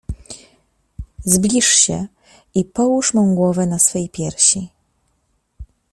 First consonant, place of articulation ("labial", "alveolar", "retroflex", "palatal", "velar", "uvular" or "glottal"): alveolar